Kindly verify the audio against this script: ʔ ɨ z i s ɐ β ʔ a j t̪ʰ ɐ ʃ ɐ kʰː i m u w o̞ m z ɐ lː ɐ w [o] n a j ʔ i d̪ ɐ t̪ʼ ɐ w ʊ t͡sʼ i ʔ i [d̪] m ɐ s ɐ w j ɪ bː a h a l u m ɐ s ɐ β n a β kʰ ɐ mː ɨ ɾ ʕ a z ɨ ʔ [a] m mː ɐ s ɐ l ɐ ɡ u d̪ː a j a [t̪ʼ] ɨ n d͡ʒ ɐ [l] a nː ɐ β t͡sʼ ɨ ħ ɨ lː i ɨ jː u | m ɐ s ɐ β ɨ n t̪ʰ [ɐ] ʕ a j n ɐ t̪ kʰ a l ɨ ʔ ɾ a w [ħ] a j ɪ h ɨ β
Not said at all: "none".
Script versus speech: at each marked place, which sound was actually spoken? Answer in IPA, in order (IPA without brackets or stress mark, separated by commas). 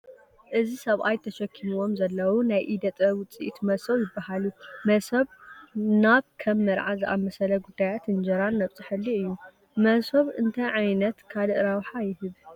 u, t̪, a, t̪, ɾ, ɐ, ħ